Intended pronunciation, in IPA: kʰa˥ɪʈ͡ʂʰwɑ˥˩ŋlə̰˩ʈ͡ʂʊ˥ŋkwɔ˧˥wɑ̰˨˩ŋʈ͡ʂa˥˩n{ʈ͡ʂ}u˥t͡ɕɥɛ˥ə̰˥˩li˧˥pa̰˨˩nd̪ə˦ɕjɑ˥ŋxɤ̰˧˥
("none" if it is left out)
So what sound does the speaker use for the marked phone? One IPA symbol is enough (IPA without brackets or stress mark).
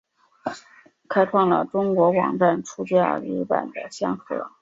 ʈ͡ʂʰ